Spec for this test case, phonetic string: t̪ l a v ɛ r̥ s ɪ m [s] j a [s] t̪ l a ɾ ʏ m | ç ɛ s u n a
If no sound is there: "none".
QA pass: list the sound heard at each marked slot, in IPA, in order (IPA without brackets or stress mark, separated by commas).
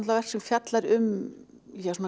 f, none